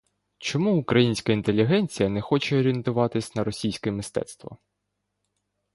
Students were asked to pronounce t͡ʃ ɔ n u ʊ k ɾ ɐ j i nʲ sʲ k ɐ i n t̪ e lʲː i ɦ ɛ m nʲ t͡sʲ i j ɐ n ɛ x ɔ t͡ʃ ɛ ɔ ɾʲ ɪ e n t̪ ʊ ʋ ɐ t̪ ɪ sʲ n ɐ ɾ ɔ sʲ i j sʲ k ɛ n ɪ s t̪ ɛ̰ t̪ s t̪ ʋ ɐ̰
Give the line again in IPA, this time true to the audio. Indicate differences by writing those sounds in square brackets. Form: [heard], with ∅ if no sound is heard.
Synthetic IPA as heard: t͡ʃ ɔ [m] u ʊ k ɾ ɐ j i nʲ sʲ k ɐ i n t̪ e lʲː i ɦ ɛ [∅] nʲ t͡sʲ i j ɐ n ɛ x ɔ t͡ʃ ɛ ɔ ɾʲ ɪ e n t̪ ʊ ʋ [ɑ] t̪ ɪ sʲ n ɐ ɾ ɔ sʲ i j sʲ k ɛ [m] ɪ s t̪ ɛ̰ t̪ s t̪ ʋ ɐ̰

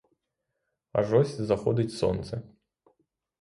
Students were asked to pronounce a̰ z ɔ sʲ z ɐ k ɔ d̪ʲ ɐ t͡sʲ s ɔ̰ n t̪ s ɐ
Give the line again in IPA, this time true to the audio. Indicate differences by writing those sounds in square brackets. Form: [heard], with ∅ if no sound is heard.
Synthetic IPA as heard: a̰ [ʐ] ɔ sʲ z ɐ [x] ɔ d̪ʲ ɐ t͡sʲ s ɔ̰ n t̪ s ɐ

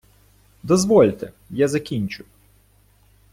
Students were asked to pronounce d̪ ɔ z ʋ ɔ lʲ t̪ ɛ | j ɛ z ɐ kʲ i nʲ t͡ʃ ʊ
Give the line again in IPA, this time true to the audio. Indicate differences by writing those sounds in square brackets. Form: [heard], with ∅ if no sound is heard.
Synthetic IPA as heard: d̪ ɔ z ʋ ɔ lʲ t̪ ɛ | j [a] z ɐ kʲ i nʲ t͡ʃ ʊ

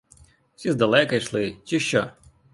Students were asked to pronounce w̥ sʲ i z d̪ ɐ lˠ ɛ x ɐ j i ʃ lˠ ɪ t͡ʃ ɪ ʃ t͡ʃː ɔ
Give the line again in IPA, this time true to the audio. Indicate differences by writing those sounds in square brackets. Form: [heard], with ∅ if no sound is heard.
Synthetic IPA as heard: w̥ sʲ i z d̪ ɐ lˠ ɛ [k] ɐ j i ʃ lˠ ɪ t͡ʃ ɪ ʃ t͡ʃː ɔ

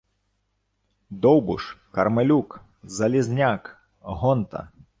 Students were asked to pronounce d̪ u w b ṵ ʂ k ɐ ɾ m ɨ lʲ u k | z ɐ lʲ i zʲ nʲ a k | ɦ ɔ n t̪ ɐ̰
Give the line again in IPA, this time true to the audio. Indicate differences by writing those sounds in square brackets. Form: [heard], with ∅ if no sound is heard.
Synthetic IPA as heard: d̪ [ɔ] w b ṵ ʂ k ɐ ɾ m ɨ lʲ u k | z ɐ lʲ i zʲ nʲ a k | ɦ ɔ n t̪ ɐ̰

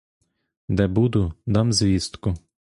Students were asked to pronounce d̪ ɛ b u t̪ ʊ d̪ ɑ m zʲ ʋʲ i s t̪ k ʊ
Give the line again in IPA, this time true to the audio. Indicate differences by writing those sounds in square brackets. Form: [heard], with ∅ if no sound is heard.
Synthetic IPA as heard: d̪ ɛ b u [d̪] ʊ d̪ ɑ m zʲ ʋʲ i s t̪ k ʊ

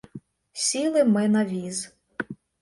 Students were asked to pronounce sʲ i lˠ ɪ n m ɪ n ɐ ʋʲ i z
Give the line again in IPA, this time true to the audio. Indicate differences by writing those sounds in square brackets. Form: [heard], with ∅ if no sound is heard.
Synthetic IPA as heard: sʲ i lˠ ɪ [∅] m ɪ n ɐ ʋʲ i z

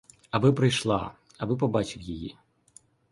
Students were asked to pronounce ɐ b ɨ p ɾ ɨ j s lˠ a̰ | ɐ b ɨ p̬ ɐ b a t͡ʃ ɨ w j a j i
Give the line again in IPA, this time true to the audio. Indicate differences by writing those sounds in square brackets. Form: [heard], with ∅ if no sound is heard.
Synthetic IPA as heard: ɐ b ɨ p ɾ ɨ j [ʂ] lˠ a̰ | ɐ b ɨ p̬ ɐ b a t͡ʃ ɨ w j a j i

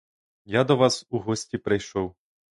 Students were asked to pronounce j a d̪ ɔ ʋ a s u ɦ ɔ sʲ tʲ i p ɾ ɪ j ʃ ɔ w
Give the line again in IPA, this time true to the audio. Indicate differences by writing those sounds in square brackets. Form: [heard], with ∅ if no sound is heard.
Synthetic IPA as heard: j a d̪ ɔ ʋ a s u ɦ ɔ sʲ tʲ i p ɾ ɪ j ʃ ɔ w

